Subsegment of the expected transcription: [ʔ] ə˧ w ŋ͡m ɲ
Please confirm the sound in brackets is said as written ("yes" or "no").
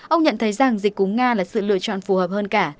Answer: yes